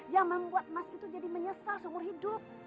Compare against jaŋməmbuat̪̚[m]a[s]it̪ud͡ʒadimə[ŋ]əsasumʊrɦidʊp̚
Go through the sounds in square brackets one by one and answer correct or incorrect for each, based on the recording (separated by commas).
correct, correct, incorrect